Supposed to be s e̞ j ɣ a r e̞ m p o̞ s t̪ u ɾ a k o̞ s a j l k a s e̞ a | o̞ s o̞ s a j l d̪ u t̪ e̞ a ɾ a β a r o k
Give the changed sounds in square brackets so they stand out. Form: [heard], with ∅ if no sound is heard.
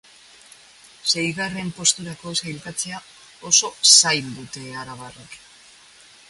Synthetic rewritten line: s e̞ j ɣ a r e̞ m p o̞ s t̪ u ɾ a k o̞ s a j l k a [t͡s] e̞ a | o̞ s o̞ s a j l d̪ u t̪ e̞ a ɾ a β a r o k